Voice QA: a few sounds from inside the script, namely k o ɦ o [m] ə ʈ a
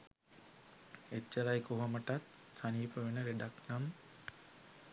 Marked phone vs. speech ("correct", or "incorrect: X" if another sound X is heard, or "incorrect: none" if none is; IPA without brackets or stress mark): correct